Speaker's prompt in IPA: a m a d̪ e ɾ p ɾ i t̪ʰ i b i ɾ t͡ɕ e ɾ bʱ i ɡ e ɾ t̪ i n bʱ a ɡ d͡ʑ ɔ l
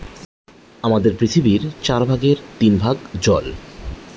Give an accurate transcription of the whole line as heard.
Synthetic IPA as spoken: a m a d̪ e ɾ p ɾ i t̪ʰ i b i ɾ t͡ɕ a ɾ bʱ a ɡ e ɾ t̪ i n bʱ a ɡ d͡ʑ ɔ l